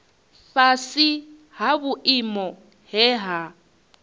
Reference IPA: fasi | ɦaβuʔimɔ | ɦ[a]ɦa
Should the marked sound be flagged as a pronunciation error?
yes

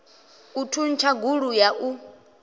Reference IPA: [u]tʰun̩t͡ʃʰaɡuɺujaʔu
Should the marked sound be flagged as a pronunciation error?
no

